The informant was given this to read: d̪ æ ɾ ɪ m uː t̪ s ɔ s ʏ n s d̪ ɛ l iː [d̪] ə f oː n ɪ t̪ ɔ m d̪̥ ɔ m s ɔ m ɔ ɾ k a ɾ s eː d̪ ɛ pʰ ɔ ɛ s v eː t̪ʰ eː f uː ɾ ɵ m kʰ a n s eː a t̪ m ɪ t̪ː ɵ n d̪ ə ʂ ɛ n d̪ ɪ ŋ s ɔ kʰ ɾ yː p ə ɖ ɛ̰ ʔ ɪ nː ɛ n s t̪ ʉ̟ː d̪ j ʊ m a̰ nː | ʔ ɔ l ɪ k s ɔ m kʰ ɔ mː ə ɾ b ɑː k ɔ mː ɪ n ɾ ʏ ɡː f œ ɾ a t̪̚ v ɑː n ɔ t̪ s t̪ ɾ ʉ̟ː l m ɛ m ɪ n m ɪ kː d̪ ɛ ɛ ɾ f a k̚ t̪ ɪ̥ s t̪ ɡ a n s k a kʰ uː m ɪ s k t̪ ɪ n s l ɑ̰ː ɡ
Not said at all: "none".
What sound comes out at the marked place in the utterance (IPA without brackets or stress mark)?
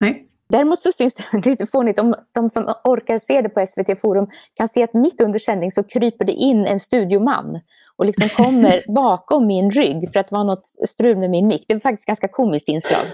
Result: t̪